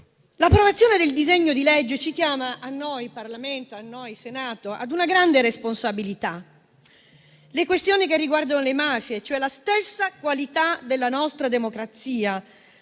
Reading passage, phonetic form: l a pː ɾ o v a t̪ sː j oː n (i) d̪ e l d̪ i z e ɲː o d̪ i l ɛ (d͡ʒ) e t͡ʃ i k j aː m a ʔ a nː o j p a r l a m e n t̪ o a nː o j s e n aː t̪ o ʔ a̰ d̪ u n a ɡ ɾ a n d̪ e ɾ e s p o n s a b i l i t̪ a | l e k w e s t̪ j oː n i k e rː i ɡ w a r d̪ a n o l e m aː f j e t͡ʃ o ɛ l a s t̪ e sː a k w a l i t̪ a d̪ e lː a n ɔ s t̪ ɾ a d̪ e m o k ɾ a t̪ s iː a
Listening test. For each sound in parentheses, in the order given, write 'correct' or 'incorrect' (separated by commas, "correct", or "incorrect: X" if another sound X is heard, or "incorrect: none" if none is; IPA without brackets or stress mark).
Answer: incorrect: e, incorrect: d͡ʒː